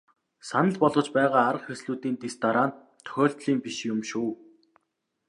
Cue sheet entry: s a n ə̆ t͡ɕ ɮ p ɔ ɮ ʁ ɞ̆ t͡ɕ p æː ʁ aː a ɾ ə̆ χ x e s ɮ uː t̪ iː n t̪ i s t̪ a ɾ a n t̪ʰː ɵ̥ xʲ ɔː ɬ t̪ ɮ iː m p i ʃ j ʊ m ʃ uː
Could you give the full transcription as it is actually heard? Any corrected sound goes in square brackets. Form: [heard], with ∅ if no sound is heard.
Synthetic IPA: s a n ə̆ [∅] ɮ p ɔ ɮ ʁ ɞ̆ t͡ɕ p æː ʁ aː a ɾ ə̆ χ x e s ɮ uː t̪ iː n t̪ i s t̪ a ɾ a n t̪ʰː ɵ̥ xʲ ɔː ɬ t̪ ɮ iː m p i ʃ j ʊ m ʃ uː

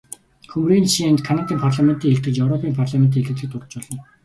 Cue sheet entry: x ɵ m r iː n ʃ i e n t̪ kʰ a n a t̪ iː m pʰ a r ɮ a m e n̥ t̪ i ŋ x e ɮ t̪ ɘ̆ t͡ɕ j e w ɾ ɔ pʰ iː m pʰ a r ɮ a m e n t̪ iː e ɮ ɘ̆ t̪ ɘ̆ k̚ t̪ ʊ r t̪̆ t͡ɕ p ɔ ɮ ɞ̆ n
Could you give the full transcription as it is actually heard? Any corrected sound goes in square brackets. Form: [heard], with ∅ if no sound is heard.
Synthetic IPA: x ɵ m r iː n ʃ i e n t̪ kʰ a n a t̪ iː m pʰ a r ɮ a m e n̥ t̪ i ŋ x e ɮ t̪ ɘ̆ t͡ɕ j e w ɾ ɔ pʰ iː m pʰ a r ɮ a m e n t̪ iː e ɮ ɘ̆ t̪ ɘ̆ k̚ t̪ ʊ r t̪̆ t͡ɕ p ɔ ɮ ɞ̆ n

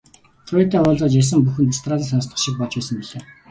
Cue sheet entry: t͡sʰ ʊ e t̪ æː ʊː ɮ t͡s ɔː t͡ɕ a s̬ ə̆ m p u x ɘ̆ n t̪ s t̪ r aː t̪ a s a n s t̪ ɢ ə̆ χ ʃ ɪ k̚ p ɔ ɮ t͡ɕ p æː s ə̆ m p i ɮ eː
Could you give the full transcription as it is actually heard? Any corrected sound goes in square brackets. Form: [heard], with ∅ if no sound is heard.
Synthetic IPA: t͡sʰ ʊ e t̪ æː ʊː ɮ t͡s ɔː t͡ɕ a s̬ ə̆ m p u x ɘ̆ n t̪ s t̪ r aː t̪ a s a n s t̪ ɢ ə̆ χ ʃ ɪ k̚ p ɔ ɮ t͡ɕ p æː s ə̆ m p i ɮ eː

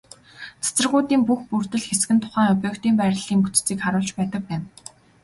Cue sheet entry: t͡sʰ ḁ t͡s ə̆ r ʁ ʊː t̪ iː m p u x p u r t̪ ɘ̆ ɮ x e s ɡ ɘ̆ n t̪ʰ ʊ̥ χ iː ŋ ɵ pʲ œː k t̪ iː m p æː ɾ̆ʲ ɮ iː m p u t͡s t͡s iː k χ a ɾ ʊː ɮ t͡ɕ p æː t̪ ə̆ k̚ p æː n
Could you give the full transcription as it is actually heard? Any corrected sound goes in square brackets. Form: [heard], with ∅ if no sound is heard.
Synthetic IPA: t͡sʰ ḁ t͡s ə̆ r ʁ ʊː t̪ iː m p u x p u r t̪ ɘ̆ ɮ x e s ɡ ɘ̆ n t̪ʰ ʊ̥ χ [æː] ŋ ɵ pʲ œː k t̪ iː m p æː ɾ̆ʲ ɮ iː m p u t͡s t͡s iː k χ a ɾ ʊː ɮ t͡ɕ p æː t̪ ə̆ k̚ p æː n

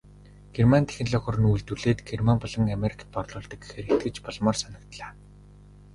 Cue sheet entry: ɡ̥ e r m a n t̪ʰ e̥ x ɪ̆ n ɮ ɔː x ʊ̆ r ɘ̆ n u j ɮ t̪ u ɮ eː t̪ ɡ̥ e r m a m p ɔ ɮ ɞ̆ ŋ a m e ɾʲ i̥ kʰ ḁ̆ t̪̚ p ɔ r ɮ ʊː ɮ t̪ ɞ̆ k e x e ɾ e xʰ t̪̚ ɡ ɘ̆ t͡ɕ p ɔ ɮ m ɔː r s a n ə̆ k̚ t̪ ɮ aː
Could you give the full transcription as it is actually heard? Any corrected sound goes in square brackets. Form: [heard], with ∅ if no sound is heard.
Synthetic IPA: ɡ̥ e r m a n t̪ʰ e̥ x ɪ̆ n ɮ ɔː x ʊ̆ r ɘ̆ n u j ɮ t̪ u ɮ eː t̪ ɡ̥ e r m a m p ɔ ɮ ɞ̆ ŋ a m e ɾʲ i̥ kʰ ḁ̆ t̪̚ p ɔ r ɮ ʊː ɮ t̪ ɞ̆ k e x e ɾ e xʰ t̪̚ ɡ ɘ̆ t͡ɕ p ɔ ɮ m ɔː r s a n ə̆ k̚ t̪ ɮ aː

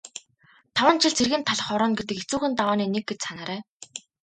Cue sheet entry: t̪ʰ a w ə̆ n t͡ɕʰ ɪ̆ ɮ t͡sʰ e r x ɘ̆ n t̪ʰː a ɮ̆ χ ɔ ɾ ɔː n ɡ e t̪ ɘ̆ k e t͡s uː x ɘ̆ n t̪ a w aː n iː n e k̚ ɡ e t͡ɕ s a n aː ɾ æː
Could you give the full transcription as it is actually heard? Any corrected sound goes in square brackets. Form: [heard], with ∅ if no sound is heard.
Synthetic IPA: t̪ʰ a w ə̆ n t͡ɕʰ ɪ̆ ɮ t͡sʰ e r [ɣ] ɘ̆ n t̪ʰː a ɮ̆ χ ɔ ɾ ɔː n ɡ e t̪ ɘ̆ k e t͡s uː x ɘ̆ n t̪ a w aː n iː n e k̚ ɡ e t͡ɕ s a n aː ɾ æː

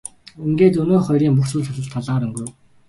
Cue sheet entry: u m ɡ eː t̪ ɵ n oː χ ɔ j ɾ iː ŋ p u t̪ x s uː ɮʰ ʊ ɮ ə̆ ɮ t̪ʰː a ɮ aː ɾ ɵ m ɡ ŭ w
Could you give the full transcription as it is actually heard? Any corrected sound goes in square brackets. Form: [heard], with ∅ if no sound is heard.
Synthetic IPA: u [ŋ] ɡ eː t̪ ɵ n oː χ ɔ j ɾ iː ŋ p u [∅] x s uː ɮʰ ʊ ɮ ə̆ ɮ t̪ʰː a ɮ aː ɾ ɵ [ŋ] ɡ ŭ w

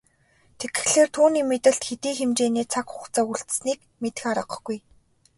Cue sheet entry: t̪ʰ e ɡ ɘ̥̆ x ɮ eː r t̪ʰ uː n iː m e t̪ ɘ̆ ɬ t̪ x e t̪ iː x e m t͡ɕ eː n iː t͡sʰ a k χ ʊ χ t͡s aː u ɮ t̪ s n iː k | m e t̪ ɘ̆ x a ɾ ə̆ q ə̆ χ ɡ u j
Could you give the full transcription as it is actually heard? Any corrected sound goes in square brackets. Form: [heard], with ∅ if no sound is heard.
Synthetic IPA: t̪ʰ e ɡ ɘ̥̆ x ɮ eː r t̪ʰ uː n iː m e t̪ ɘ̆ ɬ t̪ x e t̪ iː x e m t͡ɕ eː n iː t͡sʰ a k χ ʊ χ t͡s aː u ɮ t̪ s n iː k | m e t̪ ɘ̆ x a ɾ ə̆ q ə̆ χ ɡ u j

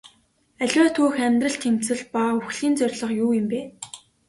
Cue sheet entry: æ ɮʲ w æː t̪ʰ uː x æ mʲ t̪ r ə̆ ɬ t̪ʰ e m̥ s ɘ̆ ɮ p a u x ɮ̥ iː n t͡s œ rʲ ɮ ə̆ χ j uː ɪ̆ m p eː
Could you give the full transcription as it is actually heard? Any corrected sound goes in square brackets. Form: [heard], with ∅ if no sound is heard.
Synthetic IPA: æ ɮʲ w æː t̪ʰ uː x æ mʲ t̪ r ə̆ ɬ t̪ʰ e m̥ [t͡s] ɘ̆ ɮ p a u x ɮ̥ iː n t͡s œ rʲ ɮ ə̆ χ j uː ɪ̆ m p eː

